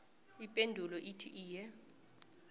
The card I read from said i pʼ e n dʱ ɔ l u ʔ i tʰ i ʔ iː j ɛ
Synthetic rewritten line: i pʼ e n dʱ u l ɔ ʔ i tʰ i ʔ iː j ɛ